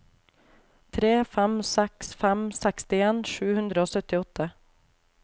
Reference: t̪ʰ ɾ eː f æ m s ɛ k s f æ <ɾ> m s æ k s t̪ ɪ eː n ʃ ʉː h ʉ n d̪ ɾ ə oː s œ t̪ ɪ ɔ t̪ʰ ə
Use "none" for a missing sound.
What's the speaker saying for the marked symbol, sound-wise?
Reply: none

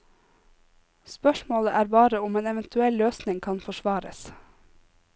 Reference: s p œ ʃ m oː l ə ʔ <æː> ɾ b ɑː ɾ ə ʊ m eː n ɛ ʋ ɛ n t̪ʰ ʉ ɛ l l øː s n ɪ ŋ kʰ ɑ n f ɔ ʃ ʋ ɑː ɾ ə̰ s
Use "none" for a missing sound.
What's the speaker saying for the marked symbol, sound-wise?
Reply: æː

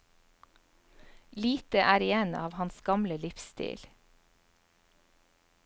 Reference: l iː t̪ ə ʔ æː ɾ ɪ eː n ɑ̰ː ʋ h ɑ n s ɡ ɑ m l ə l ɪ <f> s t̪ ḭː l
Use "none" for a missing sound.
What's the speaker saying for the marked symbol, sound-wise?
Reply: f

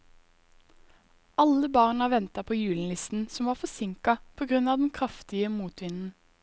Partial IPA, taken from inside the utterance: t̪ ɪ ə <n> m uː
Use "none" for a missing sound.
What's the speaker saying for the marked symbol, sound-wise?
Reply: none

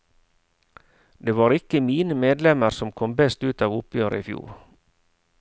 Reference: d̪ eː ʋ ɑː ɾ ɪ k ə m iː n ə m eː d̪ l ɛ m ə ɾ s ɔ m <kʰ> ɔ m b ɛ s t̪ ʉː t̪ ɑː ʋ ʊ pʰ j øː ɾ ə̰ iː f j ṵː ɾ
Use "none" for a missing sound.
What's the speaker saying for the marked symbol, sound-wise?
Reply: kʰ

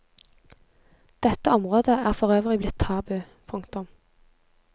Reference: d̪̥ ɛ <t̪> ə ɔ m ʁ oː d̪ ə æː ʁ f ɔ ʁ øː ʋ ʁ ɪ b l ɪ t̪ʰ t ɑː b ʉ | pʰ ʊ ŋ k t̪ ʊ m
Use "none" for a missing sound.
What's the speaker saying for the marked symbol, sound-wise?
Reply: t̪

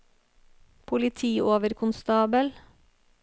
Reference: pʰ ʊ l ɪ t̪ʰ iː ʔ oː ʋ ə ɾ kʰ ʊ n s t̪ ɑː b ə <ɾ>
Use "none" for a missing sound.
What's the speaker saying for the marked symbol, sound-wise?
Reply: l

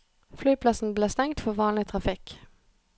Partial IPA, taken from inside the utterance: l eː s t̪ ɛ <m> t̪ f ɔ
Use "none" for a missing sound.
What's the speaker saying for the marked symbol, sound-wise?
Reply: ŋ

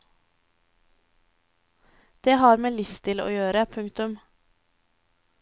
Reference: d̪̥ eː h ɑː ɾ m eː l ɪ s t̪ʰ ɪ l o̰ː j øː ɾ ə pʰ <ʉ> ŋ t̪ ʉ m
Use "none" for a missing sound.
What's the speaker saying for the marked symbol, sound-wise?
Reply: ʉ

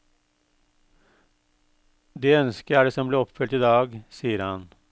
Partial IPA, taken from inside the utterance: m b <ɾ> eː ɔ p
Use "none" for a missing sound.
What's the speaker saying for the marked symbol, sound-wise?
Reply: l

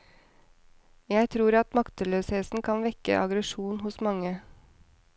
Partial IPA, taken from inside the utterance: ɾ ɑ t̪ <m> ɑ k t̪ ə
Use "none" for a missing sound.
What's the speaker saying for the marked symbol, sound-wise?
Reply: m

